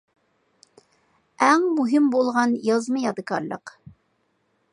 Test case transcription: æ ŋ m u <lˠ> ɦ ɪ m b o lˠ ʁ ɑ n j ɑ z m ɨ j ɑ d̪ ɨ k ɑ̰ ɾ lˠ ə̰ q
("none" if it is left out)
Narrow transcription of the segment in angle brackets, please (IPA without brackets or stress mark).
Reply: none